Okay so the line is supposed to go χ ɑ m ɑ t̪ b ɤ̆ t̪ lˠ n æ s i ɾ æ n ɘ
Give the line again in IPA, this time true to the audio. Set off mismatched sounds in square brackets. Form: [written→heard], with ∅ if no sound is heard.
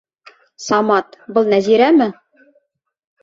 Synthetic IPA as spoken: [χ→s] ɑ m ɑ t̪ b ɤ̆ [t̪→∅] lˠ n æ [s→z] i ɾ æ [n→m] ɘ